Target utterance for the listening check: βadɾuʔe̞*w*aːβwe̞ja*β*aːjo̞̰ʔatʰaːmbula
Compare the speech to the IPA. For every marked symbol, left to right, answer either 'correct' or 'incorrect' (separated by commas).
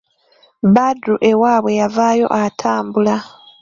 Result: correct, incorrect